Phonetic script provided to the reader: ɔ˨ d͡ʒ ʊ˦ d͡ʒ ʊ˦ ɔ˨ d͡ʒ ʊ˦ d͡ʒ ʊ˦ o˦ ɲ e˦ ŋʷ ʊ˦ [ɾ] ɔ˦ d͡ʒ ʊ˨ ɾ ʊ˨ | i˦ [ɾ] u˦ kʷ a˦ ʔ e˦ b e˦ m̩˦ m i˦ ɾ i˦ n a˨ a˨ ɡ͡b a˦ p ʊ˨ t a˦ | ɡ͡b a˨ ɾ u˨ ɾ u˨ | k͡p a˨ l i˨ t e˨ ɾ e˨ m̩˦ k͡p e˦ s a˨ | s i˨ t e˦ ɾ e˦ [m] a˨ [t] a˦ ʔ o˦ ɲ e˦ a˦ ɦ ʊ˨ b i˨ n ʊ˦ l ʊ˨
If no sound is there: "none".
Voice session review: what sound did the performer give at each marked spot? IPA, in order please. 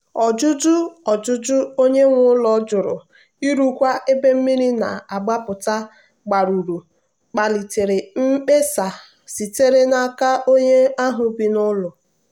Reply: l, ɾ, n, k

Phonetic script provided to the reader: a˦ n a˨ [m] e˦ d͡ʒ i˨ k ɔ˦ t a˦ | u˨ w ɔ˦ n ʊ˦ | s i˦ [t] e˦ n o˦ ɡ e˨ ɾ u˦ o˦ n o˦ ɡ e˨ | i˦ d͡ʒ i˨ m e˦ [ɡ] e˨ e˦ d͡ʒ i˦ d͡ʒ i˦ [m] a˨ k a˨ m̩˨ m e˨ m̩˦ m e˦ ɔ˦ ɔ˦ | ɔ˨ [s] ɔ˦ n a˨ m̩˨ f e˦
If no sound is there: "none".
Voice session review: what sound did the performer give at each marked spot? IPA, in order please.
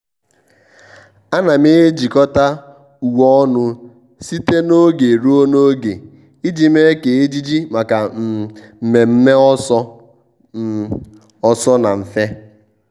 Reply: m, t, k, m, s

